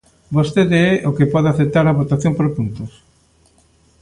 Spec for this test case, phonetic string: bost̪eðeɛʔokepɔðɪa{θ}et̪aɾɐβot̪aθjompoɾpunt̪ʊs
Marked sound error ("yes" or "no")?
no